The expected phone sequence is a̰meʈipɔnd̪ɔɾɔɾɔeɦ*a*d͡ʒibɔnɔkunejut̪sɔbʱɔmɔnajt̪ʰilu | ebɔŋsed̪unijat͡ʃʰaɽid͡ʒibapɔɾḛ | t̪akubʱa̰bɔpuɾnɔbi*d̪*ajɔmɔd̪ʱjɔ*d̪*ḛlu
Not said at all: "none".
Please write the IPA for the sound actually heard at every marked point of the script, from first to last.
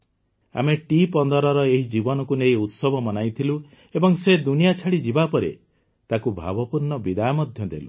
i, d̪, d̪

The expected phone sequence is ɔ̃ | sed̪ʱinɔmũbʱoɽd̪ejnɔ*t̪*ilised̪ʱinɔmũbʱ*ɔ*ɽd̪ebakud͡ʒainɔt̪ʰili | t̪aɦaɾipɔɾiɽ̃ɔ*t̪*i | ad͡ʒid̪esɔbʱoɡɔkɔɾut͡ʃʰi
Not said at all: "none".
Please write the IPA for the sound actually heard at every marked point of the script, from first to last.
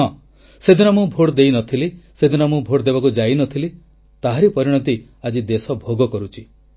t̪ʰ, o, t̪

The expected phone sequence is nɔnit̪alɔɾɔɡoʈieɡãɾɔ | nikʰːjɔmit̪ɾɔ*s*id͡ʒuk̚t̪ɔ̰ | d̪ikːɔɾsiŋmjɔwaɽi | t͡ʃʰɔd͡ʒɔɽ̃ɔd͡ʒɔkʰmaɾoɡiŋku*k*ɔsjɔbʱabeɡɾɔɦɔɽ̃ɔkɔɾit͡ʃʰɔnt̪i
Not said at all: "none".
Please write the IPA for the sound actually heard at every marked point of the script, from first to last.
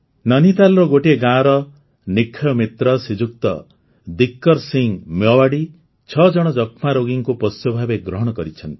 s, p

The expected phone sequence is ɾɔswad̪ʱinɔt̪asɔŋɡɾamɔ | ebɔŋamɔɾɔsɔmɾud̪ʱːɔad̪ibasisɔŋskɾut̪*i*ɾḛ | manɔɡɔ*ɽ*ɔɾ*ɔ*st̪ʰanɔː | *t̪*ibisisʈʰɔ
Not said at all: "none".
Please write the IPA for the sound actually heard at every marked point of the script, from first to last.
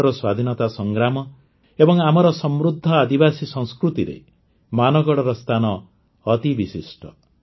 i, ɽ, ɔ, t̪

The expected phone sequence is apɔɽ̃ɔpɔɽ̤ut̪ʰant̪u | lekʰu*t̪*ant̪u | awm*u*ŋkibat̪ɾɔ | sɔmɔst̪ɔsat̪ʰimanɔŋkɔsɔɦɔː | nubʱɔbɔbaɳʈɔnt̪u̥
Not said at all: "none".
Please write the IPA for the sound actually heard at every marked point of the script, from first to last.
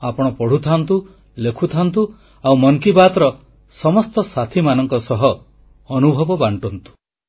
t̪ʰ, ɔ

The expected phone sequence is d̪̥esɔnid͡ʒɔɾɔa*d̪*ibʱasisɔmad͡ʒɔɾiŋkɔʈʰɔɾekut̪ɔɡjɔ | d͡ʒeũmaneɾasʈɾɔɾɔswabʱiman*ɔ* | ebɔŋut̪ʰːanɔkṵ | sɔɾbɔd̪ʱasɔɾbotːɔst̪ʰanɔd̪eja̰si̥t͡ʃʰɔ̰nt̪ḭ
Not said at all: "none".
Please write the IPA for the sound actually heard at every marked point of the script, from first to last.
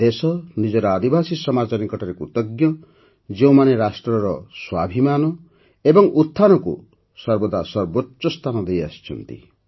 d̪, ɔ

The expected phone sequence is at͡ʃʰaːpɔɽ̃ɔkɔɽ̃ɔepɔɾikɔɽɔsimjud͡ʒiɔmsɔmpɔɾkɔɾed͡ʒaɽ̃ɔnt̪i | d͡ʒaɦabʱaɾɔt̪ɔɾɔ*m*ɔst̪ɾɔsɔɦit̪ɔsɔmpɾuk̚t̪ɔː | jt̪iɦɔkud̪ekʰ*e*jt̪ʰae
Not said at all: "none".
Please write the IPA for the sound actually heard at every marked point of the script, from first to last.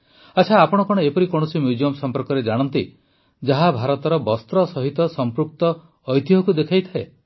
b, a

